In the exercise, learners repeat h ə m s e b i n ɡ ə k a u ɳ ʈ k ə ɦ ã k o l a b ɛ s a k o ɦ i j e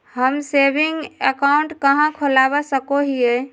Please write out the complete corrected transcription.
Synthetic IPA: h ə m s e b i ŋ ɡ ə k a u ɳ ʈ k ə ɦ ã kʰ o l a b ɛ s ə k o ɦ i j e